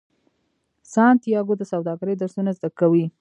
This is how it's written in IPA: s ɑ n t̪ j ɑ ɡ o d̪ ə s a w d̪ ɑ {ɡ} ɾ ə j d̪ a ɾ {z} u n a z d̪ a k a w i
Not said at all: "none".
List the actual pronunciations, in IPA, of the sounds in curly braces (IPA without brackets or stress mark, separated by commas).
ɡ, s